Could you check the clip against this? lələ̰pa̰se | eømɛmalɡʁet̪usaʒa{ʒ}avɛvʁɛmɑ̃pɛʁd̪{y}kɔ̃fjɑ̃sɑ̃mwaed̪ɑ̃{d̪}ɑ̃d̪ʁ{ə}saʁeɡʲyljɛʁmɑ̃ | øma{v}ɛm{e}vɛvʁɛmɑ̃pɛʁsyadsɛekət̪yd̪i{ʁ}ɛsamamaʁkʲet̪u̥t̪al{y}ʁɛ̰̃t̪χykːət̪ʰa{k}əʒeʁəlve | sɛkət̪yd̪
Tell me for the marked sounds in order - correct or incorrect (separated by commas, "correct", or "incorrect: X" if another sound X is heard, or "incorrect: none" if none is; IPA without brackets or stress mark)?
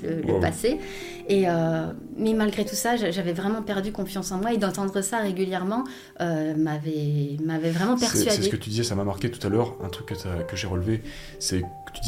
correct, correct, incorrect: t̪, correct, correct, incorrect: a, incorrect: z, incorrect: œ, correct